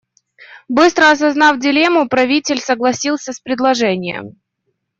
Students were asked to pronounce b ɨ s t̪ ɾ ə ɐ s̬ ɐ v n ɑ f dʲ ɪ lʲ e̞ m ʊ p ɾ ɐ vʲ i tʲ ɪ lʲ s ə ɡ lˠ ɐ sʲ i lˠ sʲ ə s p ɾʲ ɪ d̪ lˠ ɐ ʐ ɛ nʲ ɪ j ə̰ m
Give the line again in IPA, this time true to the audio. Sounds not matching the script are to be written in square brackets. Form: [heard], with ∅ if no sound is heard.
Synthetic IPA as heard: b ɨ s t̪ ɾ ə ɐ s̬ ɐ [z] n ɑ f dʲ ɪ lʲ e̞ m ʊ p ɾ ɐ vʲ i tʲ ɪ lʲ s ə ɡ lˠ ɐ sʲ i lˠ sʲ ə s p ɾʲ ɪ d̪ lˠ ɐ ʐ ɛ nʲ ɪ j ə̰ m